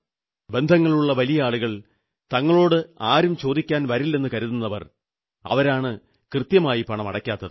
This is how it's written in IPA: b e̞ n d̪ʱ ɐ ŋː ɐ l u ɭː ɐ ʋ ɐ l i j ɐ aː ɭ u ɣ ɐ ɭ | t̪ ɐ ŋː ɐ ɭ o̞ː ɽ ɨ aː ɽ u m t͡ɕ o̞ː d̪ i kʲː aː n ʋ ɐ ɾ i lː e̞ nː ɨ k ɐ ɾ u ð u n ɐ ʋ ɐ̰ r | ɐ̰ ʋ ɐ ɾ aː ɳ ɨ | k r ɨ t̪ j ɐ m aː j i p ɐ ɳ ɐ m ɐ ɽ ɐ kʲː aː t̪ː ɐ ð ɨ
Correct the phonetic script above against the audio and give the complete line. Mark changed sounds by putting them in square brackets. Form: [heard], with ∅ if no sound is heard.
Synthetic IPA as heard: b e̞ n d̪ʱ ɐ ŋː ɐ [ɭ] u ɭː ɐ ʋ ɐ l i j ɐ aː ɭ u ɣ ɐ ɭ | t̪ ɐ ŋː ɐ ɭ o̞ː ɽ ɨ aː [ɾ] u m t͡ɕ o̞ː d̪ i kʲː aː n ʋ ɐ ɾ i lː e̞ nː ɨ k ɐ ɾ u ð u [nː] ɐ ʋ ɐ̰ r | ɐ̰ ʋ ɐ ɾ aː ɳ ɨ | k r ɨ t̪ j ɐ m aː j i p ɐ ɳ ɐ m ɐ ɽ ɐ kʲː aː t̪ː ɐ ð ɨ